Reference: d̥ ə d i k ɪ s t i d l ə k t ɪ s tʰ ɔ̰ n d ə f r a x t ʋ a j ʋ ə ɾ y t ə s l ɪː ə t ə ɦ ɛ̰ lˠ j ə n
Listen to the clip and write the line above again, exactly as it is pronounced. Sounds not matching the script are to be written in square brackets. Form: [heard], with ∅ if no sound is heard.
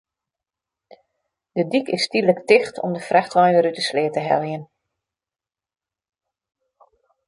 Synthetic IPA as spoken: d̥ ə d i k ɪ s t i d l ə k t ɪ [x] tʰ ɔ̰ [m] d ə f r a x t ʋ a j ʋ ə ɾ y t ə s l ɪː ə t ə ɦ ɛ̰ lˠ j ə n